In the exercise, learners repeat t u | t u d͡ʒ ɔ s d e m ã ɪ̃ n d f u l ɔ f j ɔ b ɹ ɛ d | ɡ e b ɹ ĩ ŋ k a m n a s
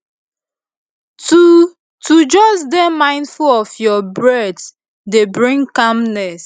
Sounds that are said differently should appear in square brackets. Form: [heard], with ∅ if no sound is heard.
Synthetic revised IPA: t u | t u d͡ʒ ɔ s d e m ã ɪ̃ n d f u l ɔ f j ɔ b ɹ ɛ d | [d] e b ɹ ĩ ŋ k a m n [ɛ] s